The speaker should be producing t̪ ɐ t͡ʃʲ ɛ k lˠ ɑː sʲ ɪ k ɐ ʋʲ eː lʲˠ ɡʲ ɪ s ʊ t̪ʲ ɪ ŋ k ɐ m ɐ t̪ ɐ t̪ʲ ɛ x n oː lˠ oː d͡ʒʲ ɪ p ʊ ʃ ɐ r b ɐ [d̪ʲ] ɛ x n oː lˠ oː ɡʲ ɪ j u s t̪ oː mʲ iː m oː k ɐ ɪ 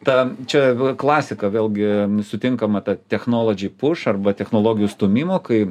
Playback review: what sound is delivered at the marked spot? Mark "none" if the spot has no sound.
t̪ʲ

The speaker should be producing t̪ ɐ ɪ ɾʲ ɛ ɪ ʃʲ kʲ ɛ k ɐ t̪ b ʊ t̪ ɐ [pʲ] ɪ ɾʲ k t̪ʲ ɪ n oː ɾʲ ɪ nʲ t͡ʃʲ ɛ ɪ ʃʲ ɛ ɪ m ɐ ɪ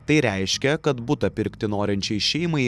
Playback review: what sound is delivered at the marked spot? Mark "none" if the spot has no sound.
pʲ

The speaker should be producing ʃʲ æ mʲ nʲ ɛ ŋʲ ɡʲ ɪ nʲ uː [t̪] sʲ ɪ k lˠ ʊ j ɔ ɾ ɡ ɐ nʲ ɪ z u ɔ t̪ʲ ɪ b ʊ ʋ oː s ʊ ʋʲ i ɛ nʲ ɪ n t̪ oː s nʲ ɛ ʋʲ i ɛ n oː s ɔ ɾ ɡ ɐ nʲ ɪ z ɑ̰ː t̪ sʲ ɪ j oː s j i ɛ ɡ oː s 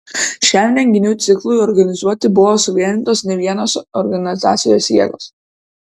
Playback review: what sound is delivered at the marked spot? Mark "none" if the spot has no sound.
t̪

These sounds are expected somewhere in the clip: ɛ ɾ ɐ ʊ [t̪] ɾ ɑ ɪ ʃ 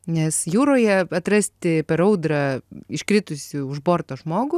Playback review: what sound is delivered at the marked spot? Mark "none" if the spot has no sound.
d̪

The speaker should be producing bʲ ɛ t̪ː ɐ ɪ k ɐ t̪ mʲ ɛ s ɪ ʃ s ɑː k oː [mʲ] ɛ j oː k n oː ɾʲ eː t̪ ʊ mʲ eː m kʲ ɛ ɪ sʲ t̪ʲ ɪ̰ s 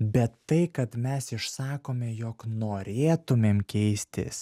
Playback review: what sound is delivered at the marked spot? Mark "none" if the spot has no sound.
mʲ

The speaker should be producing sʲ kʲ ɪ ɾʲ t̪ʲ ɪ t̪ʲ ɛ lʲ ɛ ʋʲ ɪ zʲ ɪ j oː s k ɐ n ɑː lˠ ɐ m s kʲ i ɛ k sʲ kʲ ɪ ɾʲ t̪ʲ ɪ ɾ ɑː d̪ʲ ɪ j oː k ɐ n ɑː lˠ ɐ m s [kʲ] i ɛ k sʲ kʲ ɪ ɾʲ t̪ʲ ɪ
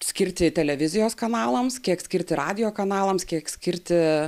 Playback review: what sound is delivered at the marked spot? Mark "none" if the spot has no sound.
kʲ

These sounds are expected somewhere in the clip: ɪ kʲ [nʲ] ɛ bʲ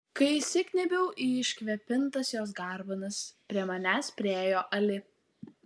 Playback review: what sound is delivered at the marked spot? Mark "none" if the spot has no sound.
nʲ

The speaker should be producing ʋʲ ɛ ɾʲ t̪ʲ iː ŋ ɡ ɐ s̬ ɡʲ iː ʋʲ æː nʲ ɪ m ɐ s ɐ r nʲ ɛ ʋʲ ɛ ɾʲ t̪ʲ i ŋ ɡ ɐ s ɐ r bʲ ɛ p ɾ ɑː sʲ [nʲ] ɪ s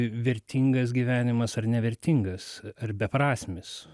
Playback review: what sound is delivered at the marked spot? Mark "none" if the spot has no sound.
mʲ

